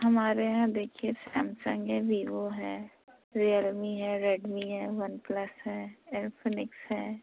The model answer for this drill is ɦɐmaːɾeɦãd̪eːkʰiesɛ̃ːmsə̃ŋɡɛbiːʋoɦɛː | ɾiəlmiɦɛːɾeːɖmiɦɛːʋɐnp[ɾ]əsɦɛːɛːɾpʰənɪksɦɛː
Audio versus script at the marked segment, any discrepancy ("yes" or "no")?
yes